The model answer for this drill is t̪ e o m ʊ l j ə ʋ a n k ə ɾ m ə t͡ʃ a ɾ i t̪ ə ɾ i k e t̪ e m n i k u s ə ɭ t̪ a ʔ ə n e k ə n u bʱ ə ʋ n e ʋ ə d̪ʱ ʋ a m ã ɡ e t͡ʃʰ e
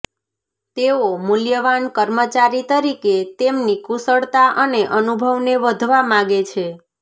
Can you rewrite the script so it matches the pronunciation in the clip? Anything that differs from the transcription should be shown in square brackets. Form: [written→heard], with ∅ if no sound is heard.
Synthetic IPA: t̪ e o m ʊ l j ə ʋ a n k ə ɾ m ə t͡ʃ a ɾ i t̪ ə ɾ i k e t̪ e m n i k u s ə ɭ t̪ a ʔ ə n e [k→ʔ] ə n u bʱ ə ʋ n e ʋ ə d̪ʱ ʋ a m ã ɡ e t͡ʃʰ e

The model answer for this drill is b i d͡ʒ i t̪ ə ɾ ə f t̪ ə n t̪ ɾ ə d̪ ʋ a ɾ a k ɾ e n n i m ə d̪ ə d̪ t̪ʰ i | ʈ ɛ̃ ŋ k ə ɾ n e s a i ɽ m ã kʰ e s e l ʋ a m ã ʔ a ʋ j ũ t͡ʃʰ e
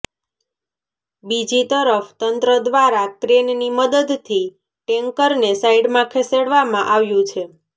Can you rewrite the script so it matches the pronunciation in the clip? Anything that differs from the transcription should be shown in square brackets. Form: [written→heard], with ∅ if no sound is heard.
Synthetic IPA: b i d͡ʒ i t̪ ə ɾ ə f t̪ ə n t̪ ɾ ə d̪ ʋ a ɾ a k ɾ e n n i m ə d̪ ə d̪ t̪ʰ i | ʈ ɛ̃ ŋ k ə ɾ n e s a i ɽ m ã kʰ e s e [l→ɽ] ʋ a m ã ʔ a ʋ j ũ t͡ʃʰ e

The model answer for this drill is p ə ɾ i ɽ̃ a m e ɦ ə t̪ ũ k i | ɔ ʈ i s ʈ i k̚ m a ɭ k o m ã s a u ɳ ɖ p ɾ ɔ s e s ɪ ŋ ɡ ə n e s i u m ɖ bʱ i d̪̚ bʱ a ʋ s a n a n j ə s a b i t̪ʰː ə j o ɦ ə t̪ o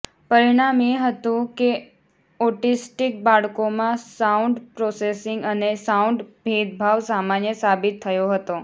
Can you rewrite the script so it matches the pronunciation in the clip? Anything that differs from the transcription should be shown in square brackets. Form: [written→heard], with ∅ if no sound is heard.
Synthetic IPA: p ə ɾ i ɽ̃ a m e ɦ ə t̪ ũ k [i→e] | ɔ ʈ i s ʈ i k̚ [m→b] a ɭ k o m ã s a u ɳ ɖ p ɾ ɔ s e s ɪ ŋ ɡ ə n e s [i→a] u [m→ɳ] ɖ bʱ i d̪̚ bʱ a ʋ s a [n→m] a n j ə s a b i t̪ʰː ə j o ɦ ə t̪ o

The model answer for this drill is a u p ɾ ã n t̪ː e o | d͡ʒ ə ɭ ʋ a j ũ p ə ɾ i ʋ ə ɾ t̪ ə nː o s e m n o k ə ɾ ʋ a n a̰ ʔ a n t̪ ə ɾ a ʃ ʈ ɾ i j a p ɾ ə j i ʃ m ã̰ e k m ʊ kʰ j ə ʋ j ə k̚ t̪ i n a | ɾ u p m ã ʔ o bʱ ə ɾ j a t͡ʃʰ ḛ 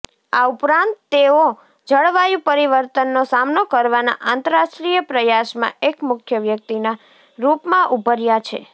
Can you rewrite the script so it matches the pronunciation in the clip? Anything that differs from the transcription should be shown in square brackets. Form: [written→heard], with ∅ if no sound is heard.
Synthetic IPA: a u p ɾ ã n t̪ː e o | d͡ʒ ə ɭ ʋ a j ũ p ə ɾ i ʋ ə ɾ t̪ ə nː o s [e→a] m n o k ə ɾ ʋ a n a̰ ʔ a n t̪ ə ɾ a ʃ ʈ ɾ i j [a→ə] p ɾ ə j [i→a] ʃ m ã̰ e k m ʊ kʰ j ə ʋ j ə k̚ t̪ i n a | ɾ u p m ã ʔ [o→u] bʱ ə ɾ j a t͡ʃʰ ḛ

